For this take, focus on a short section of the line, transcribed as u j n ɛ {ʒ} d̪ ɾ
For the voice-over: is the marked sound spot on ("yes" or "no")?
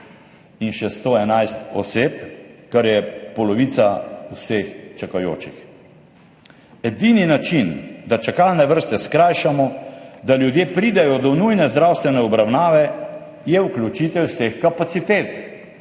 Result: no